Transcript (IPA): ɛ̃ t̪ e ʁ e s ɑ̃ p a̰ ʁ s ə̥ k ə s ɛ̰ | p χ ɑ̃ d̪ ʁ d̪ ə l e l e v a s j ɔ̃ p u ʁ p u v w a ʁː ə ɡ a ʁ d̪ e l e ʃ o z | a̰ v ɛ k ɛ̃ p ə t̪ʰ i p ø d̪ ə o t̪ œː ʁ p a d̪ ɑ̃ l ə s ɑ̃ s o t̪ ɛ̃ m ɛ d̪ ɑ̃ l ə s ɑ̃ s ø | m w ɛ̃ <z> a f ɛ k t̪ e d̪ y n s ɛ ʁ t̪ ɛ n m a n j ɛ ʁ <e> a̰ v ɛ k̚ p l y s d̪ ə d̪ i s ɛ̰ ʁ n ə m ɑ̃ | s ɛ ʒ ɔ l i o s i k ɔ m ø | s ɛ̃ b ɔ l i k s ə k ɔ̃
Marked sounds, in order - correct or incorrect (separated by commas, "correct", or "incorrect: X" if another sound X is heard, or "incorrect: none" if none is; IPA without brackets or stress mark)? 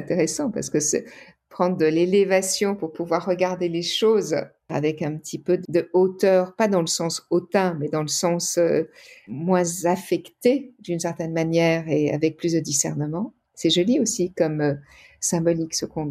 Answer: correct, correct